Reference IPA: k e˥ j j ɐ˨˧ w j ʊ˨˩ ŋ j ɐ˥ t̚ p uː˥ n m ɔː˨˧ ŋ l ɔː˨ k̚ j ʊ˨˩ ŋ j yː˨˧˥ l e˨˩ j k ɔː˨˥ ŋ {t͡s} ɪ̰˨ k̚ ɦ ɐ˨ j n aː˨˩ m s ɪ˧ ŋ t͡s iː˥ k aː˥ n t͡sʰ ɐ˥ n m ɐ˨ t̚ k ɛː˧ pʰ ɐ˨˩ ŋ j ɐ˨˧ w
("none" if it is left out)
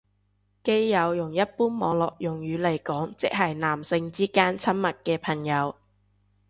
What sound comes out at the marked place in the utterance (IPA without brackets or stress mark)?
t͡s